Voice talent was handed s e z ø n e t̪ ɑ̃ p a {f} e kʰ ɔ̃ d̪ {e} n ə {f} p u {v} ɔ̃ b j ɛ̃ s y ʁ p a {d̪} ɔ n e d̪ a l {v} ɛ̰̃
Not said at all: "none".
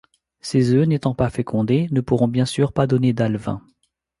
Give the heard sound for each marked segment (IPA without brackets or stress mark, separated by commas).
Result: f, e, none, ʁ, d̪, v